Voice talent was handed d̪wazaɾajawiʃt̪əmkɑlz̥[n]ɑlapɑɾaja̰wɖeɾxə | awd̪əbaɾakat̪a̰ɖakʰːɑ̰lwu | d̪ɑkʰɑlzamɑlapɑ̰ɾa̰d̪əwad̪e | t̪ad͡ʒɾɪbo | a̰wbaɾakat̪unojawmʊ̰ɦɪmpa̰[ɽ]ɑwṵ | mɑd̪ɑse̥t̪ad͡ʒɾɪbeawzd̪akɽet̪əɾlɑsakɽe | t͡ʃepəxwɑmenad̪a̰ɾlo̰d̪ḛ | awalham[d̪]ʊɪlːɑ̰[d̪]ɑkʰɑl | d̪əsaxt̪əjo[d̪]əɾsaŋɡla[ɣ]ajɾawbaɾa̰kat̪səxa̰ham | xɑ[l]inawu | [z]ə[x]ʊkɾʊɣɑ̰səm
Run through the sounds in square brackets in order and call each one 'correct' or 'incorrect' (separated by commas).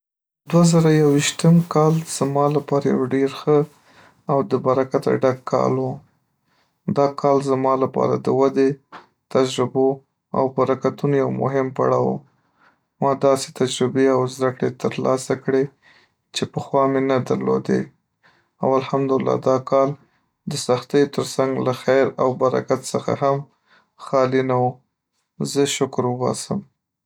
incorrect, correct, correct, correct, incorrect, incorrect, correct, correct, incorrect